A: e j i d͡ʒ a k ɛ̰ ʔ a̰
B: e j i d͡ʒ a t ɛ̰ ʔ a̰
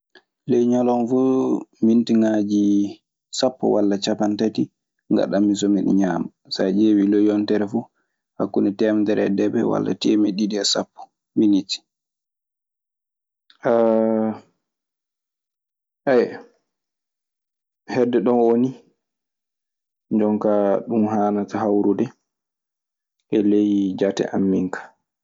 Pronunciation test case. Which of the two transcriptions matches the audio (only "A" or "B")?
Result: B